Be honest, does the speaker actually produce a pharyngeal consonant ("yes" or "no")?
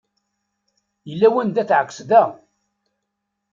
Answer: yes